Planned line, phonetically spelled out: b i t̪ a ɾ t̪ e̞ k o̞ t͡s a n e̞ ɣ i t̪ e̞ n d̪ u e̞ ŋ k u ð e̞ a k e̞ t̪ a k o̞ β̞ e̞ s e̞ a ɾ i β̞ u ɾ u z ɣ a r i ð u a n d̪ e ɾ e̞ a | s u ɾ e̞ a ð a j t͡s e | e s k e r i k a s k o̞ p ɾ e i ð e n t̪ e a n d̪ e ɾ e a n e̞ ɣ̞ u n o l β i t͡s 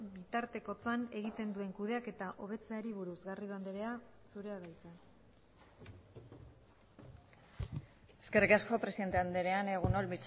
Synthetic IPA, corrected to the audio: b i t̪ a ɾ t̪ e̞ k o̞ t͡s a n e̞ ɣ i t̪ e̞ n d̪ u e̞ ŋ k u ð e̞ a k e̞ t̪ a ʔ o̞ β̞ e̞ t͡s e̞ a ɾ i β̞ u ɾ u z ɣ a r i ð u a n d̪ e ɾ e̞ a | s u ɾ e̞ a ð a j t͡s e | e s k e r i k a s k o̞ p ɾ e i ð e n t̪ e a n d̪ e ɾ e a n e̞ ɣ̞ u n o l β i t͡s